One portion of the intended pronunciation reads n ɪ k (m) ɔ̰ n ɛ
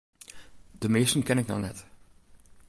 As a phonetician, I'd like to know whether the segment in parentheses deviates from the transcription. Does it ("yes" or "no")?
yes